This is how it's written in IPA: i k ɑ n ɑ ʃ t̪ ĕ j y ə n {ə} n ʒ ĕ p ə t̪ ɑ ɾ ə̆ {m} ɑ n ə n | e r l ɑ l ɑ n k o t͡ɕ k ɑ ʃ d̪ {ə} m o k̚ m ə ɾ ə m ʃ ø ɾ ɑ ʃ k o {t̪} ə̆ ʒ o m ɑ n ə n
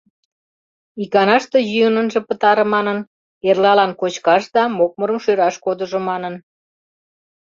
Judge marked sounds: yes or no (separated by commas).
yes, yes, no, no